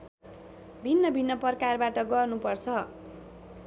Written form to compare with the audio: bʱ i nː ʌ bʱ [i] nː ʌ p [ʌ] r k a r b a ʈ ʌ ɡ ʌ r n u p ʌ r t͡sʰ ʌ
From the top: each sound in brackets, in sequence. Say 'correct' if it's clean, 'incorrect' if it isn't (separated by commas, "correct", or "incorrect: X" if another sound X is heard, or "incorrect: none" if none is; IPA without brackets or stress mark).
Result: correct, correct